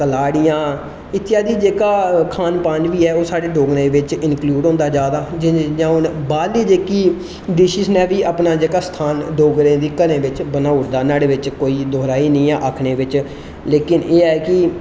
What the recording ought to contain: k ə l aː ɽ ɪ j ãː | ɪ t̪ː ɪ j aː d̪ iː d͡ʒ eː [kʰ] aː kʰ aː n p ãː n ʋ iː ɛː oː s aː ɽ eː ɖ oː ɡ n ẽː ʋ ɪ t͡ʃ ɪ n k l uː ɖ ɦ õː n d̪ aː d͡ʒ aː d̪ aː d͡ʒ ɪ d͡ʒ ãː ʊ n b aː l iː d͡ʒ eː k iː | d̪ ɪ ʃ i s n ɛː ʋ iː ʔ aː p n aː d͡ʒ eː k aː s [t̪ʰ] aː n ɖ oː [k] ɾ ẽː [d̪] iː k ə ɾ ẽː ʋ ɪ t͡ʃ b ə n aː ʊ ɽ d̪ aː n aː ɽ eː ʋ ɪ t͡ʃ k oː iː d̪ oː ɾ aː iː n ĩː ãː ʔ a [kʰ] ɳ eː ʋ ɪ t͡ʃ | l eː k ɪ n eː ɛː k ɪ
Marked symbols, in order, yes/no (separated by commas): no, yes, no, yes, yes